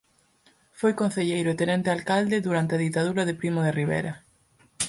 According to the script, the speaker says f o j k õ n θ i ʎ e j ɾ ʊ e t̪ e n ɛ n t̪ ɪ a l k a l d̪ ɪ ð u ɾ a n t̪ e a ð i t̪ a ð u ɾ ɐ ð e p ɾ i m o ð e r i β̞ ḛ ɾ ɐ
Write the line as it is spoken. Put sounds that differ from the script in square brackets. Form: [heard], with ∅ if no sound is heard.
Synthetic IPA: f o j k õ n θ [e] ʎ e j ɾ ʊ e t̪ e n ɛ n t̪ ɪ a l k a l d̪ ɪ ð u ɾ a n t̪ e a ð i t̪ a ð u ɾ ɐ ð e p ɾ i m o ð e r i β̞ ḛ ɾ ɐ

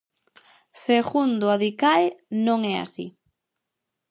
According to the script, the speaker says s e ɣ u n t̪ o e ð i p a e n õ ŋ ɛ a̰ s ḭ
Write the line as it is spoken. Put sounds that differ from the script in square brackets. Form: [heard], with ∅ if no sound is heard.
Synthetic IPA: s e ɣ u n [d̪] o [a] ð i [k] a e n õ ŋ ɛ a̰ s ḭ

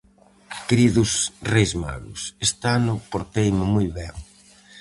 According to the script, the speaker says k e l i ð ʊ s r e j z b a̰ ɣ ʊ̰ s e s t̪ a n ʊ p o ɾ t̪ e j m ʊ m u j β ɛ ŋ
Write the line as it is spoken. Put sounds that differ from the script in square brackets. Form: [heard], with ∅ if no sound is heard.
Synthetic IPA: k e [ɾ] i ð ʊ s r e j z [m] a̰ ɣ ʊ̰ s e s t̪ a n ʊ p o ɾ t̪ e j m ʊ m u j β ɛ ŋ

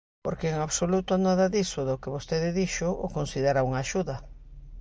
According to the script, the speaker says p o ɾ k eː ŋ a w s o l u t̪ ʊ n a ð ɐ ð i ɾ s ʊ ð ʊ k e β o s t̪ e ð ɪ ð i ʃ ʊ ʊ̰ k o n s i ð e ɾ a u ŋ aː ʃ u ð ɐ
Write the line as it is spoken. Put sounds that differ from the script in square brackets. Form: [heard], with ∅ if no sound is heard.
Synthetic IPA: p o ɾ k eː ŋ a [β] s o l u t̪ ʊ n a ð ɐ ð i [∅] s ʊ ð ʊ k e β o s t̪ e ð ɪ ð i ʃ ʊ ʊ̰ k o n s i ð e ɾ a u ŋ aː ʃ u ð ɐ

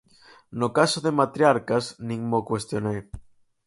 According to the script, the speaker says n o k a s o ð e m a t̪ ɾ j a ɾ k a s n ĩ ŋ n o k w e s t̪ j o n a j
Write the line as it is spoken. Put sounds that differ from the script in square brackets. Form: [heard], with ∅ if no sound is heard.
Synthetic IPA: n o k a s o ð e m a t̪ ɾ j a ɾ k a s n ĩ ŋ [m] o k w e s t̪ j o n [e] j

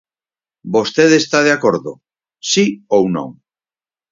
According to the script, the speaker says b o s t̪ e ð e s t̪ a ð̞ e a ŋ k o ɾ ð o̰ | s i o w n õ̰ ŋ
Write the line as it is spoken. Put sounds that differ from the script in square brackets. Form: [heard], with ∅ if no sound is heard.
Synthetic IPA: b o s t̪ e ð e s t̪ a ð̞ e a [∅] k o ɾ ð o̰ | s i o w n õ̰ ŋ

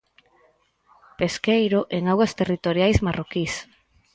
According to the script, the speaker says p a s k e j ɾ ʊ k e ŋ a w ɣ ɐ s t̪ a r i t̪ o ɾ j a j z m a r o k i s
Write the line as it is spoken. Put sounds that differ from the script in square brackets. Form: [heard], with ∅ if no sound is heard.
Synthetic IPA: p [e] s k e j ɾ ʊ [ʔ] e ŋ a w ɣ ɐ s t̪ [e] r i t̪ o ɾ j a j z m a r o k i s

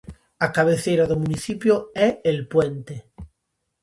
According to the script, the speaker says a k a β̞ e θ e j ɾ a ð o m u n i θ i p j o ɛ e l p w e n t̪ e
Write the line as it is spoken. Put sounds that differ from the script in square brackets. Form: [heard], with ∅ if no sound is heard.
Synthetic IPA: a k a β̞ e θ e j ɾ a ð o m u n i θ i p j o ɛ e l p w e n t̪ e

